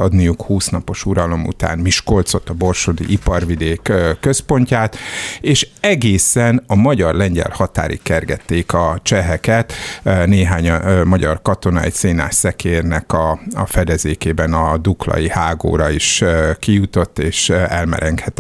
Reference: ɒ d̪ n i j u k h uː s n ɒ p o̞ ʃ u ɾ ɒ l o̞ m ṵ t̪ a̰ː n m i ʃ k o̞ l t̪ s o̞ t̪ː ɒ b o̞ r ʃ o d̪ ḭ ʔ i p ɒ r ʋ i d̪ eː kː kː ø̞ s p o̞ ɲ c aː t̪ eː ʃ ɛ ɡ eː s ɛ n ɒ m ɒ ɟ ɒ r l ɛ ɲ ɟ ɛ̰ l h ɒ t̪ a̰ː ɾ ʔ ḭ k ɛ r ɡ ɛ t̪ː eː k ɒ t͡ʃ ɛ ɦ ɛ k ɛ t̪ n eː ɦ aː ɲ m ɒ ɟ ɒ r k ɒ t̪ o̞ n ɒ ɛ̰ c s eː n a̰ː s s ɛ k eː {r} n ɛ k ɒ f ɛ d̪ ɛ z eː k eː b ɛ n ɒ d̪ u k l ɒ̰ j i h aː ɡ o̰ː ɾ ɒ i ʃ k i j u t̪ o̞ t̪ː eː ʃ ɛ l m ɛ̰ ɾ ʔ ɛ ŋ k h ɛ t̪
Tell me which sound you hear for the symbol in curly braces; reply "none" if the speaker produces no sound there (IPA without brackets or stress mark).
r